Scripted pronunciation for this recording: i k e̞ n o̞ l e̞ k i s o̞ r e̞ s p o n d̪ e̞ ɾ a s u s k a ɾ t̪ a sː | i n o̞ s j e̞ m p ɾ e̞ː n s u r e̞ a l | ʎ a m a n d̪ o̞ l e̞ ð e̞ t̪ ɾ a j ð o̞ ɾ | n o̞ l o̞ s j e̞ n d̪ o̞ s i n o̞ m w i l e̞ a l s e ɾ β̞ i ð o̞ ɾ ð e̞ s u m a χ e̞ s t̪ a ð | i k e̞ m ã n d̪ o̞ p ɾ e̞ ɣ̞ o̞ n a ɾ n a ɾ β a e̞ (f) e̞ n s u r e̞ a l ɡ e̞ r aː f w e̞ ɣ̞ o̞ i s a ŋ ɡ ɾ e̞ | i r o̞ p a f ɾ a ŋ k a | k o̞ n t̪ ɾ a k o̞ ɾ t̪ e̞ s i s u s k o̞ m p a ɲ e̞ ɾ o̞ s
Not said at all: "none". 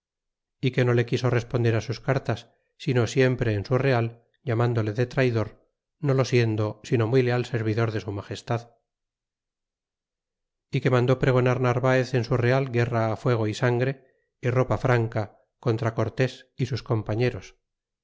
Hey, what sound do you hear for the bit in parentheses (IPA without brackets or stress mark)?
θ